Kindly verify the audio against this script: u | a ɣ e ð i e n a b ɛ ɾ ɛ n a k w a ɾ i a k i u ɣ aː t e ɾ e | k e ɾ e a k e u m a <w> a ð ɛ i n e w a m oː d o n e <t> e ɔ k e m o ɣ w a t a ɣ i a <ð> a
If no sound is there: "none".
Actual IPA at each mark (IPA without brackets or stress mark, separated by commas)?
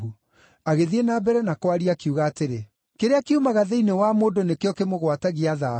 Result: ɣ, k, ð